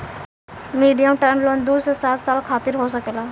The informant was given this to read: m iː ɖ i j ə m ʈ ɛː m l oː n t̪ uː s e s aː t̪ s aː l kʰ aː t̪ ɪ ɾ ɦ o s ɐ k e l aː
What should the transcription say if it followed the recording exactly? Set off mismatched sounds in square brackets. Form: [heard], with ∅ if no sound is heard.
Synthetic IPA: m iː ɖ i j ə m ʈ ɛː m l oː n [d̪] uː s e s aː t̪ s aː l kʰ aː t̪ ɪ ɾ ɦ o s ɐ k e l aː